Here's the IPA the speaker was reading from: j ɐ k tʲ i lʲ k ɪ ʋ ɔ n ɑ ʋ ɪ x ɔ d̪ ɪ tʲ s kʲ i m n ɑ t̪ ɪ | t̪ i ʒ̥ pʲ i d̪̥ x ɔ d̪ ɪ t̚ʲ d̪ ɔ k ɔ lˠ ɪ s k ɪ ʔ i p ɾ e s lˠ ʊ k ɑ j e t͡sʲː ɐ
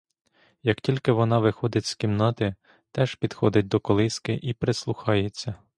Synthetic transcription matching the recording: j ɐ k tʲ i lʲ k ɪ ʋ ɔ n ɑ ʋ ɪ x ɔ d̪ ɪ tʲ s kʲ i m n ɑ t̪ ɪ | t̪ ɛ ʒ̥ pʲ i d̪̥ x ɔ d̪ ɪ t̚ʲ d̪ ɔ k ɔ lˠ ɪ s k ɪ ʔ i p ɾ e s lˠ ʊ x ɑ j e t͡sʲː ɐ